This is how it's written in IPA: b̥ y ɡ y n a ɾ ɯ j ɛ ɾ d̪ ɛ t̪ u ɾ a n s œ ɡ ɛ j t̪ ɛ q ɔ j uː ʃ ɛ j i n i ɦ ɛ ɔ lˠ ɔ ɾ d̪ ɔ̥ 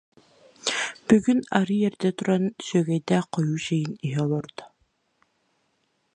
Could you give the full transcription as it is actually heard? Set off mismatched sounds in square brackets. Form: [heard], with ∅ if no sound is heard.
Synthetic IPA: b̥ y ɡ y n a ɾ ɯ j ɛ ɾ d̪ ɛ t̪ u ɾ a n s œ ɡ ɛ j [d̪] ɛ q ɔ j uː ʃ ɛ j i n i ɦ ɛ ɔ lˠ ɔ ɾ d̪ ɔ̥